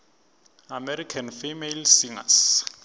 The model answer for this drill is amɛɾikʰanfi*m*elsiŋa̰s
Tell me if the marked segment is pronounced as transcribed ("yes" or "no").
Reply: yes